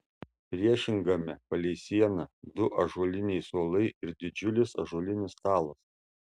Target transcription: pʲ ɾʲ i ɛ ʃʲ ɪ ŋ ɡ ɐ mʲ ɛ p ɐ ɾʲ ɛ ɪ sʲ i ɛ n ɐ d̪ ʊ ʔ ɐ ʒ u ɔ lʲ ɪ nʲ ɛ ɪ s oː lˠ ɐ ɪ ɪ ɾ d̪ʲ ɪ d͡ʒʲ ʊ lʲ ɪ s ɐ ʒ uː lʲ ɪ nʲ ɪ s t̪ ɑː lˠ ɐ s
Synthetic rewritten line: pʲ ɾʲ i ɛ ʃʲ ɪ ŋ ɡ ɐ mʲ ɛ p ɐ lʲ ɛ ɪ sʲ i ɛ n ɐ d̪ ʊ ʔ ɐ ʒ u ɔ lʲ ɪ nʲ ɛ ɪ s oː lˠ ɐ ɪ ɪ ɾ d̪ʲ ɪ d͡ʒʲ ʊ lʲ ɪ s ɐ ʒ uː lʲ ɪ nʲ ɪ s t̪ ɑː lˠ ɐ s